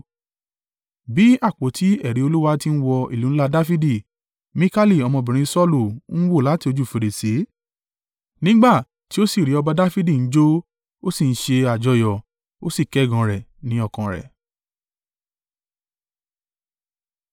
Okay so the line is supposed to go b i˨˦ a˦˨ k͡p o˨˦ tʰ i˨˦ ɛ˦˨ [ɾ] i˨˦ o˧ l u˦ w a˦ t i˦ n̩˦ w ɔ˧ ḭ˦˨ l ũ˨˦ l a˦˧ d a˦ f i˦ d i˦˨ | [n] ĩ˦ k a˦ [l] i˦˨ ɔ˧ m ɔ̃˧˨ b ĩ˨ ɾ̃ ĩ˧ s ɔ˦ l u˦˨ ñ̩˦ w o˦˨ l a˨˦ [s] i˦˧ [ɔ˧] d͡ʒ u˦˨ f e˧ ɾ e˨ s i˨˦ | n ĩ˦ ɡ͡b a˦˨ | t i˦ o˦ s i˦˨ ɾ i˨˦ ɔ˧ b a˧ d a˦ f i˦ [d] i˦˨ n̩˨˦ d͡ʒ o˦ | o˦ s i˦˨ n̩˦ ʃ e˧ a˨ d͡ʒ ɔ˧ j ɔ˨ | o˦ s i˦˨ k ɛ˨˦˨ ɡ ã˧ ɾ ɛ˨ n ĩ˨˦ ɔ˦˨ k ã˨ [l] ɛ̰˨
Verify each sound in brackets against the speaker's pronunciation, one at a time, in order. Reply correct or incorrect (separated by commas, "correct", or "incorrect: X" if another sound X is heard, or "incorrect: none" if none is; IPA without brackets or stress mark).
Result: correct, incorrect: m, correct, incorrect: t, incorrect: o˧, correct, incorrect: ɾ